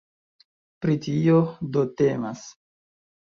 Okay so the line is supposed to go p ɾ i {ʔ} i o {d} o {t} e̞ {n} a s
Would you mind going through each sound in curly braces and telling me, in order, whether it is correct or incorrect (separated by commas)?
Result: incorrect, correct, correct, incorrect